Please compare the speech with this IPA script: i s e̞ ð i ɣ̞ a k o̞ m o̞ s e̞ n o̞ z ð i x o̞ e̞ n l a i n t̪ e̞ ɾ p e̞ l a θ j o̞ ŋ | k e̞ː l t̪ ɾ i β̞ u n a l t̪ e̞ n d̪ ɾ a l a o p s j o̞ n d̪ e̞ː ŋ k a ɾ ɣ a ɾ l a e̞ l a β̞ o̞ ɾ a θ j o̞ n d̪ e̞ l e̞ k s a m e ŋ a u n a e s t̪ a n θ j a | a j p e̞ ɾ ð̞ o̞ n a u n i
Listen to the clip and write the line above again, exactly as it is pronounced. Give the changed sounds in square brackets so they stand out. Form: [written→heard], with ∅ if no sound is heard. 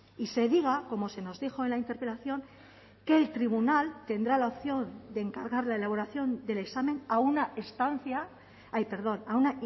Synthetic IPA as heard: i s e̞ ð i ɣ̞ a k o̞ m o̞ s e̞ n o̞ z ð i x o̞ e̞ n l a i n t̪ e̞ ɾ p e̞ l a θ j o̞ ŋ | k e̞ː l t̪ ɾ i β̞ u n a l t̪ e̞ n d̪ ɾ a l a o p [s→θ] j o̞ n d̪ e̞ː ŋ k a ɾ ɣ a ɾ l a e̞ l a β̞ o̞ ɾ a θ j o̞ n d̪ e̞ l e̞ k s a m e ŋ a u n a e s t̪ a n θ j a | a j p e̞ ɾ ð̞ o̞ n a u n [i→a]